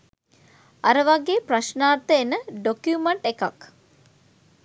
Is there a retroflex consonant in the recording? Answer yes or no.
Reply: yes